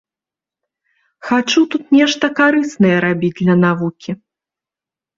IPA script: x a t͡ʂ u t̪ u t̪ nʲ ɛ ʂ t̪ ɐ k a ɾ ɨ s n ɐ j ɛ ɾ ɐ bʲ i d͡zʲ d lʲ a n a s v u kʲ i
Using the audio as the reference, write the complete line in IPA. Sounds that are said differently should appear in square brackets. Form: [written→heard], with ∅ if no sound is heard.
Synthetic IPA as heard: x a t͡ʂ u t̪ u t̪ nʲ ɛ ʂ t̪ ɐ k a ɾ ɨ s n ɐ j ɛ ɾ [ɐ→a] bʲ i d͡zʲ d lʲ [a→ɐ] n a [s→∅] v u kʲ i